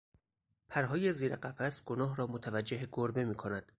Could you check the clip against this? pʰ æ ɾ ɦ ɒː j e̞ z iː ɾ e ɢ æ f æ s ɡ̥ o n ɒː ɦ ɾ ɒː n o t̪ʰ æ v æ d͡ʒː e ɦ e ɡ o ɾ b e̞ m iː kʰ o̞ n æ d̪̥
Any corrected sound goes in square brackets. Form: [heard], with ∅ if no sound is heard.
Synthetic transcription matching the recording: pʰ æ ɾ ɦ ɒː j e̞ z iː ɾ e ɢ æ f æ s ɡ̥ o n ɒː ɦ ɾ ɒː [m] o t̪ʰ æ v æ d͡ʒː e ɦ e ɡ o ɾ b e̞ m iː kʰ o̞ n æ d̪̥